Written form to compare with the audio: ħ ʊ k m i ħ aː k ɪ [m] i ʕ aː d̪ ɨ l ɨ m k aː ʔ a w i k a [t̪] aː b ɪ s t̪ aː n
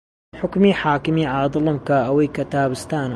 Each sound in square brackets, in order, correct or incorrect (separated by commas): correct, correct